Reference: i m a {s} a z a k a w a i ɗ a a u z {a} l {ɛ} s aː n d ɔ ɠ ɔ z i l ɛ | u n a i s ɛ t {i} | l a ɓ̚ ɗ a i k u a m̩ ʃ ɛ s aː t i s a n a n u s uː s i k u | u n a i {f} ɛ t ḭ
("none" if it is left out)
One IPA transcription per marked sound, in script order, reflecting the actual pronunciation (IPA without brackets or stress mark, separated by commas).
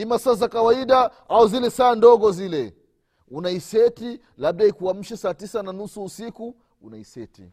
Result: s, i, ɛ, i, s